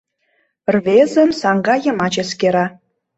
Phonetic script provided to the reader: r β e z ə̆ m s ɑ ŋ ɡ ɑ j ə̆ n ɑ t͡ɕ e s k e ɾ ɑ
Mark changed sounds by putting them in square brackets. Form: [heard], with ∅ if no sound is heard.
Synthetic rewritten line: r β e z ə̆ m s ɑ ŋ ɡ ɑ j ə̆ [m] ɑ t͡ɕ e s k e ɾ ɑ

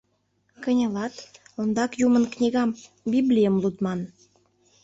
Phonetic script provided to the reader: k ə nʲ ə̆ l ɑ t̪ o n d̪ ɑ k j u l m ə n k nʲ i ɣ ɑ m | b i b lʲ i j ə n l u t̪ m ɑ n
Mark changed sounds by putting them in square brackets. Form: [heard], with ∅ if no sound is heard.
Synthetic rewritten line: k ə nʲ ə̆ l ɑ t̪ o n d̪ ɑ k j u [∅] m ə n k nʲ i ɣ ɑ m | b i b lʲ i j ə [m] l u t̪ m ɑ n

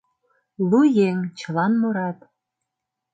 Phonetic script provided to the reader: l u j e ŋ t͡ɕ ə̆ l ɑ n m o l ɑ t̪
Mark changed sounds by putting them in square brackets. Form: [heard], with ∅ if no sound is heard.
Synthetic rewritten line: l u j e ŋ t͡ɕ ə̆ l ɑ n m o [ɾ] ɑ t̪

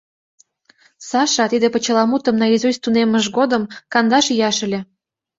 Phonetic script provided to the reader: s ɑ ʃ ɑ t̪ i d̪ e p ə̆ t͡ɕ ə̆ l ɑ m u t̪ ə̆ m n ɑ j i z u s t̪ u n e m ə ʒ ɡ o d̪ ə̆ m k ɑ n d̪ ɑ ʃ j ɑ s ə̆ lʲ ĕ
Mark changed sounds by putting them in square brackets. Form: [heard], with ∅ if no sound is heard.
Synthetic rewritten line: s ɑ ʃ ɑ t̪ i d̪ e p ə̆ t͡ɕ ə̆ l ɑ m u t̪ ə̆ m n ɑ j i z u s t̪ u n e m ə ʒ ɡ o d̪ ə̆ m k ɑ n d̪ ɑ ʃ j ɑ [ʃ] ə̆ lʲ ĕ

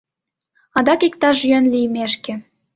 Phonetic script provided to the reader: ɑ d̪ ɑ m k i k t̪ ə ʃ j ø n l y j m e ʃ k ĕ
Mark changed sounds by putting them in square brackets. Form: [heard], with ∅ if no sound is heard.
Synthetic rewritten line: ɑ d̪ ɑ [∅] k i k t̪ [ɑ] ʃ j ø n l [i] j m e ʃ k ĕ

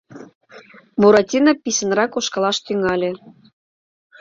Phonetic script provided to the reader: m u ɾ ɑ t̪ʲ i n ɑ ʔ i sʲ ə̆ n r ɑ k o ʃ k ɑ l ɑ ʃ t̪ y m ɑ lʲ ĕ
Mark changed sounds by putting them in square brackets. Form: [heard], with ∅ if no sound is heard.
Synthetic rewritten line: m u ɾ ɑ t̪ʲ i n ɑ [p] i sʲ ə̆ n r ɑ k o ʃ k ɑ l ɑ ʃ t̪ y [ŋ] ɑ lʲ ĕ

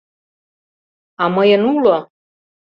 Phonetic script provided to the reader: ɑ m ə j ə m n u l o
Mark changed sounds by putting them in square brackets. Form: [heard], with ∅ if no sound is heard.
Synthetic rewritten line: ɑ m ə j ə [∅] n u l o

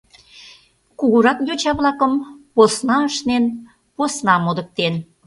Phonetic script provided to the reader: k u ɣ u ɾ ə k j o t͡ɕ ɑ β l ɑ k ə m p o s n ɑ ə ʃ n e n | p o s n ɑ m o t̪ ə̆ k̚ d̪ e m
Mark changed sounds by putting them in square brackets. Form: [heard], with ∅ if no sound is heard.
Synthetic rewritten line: k u ɣ u ɾ [ɑ] k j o t͡ɕ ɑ β l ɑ k ə m p o s n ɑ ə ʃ n e n | p o s n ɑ m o [d̪] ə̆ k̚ [t̪] e [n]

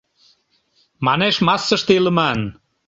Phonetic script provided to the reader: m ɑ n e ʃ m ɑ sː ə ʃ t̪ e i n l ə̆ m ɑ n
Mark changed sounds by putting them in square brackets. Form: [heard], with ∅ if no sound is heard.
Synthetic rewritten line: m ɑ n e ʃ m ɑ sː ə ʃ t̪ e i [∅] l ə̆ m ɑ n

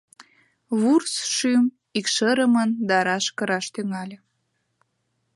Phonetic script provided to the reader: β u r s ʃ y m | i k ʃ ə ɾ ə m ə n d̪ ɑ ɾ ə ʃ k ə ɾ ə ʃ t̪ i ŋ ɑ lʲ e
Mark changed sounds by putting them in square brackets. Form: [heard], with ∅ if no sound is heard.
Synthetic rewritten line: β u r s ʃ y m | i k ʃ ə ɾ ə m ə n d̪ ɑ ɾ [ɑ] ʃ k ə ɾ [ɑ] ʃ t̪ [y] ŋ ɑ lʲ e

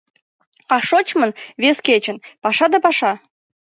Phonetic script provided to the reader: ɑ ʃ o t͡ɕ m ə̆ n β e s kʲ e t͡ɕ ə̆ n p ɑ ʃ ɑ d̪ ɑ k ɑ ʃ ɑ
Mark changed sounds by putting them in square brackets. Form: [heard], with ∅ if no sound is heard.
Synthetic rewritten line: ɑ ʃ o t͡ɕ m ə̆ n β e s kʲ e t͡ɕ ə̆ n p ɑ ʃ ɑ d̪ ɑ [p] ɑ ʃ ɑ

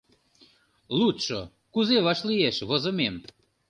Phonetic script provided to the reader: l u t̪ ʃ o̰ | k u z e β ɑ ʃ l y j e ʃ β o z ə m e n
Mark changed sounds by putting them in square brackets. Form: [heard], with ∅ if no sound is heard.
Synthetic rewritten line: l u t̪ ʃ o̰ | k u z e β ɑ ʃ l [i] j e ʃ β o z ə m e [m]

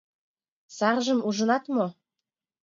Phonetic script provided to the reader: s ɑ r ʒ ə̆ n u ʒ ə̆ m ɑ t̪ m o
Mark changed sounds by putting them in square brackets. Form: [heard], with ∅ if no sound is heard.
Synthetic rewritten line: s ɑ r ʒ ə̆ [m] u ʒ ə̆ [n] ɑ t̪ m o

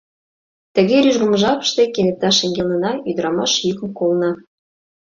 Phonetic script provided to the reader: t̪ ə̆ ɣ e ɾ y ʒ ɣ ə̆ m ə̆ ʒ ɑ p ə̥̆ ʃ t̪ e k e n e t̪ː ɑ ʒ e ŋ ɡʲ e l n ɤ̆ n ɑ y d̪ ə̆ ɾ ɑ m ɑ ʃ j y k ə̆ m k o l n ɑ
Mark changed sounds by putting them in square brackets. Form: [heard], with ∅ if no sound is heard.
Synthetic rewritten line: t̪ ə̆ ɣ e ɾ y ʒ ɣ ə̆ m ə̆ ʒ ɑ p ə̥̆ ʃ t̪ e k e n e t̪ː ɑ [ʃ] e ŋ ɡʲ e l n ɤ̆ n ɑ y d̪ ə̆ ɾ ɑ m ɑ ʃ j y k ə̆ m k o l n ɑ

